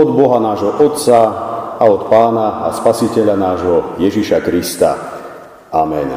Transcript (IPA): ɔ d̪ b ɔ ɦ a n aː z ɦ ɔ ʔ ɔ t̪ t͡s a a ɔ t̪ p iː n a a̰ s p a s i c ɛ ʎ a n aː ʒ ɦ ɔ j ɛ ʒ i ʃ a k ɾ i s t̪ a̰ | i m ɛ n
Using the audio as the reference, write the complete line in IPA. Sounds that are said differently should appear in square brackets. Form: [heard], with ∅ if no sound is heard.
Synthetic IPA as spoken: ɔ d̪ b ɔ ɦ a n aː [ʒ] ɦ ɔ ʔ ɔ t̪ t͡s a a ɔ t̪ p [aː] n a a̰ s p a s i c ɛ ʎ a n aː ʒ ɦ ɔ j ɛ ʒ i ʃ a k ɾ i s t̪ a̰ | [a] m ɛ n